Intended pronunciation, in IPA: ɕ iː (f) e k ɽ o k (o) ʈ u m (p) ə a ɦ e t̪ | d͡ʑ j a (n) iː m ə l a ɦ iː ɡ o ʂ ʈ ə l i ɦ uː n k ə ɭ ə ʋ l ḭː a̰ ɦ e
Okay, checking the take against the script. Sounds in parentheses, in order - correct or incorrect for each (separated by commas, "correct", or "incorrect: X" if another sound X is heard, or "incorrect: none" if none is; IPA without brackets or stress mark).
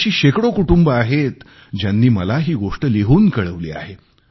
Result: incorrect: ɕ, incorrect: u, incorrect: b, incorrect: nː